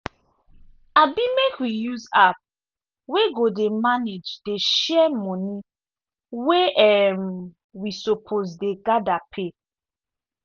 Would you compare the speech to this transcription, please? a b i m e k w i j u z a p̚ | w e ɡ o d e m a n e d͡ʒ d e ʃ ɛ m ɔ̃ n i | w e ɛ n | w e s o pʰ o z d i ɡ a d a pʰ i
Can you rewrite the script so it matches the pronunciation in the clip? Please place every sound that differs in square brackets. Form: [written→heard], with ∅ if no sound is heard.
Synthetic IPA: a b i m e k w i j u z a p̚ | w e ɡ o d e m a n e d͡ʒ d e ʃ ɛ m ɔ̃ n i | w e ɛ [n→m] | w [e→i] s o pʰ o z d [i→e] ɡ a d a pʰ [i→e]